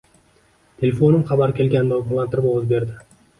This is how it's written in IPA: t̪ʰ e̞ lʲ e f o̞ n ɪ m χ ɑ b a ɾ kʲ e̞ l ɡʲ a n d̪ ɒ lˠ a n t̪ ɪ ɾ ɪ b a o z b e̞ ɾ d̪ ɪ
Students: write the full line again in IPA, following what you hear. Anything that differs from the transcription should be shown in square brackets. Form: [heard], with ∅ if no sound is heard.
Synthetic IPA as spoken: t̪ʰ e̞ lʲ e f o̞ n ɪ m χ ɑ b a ɾ kʲ e̞ l ɡʲ a n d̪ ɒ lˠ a n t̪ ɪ ɾ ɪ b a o z b e̞ ɾ d̪ ɪ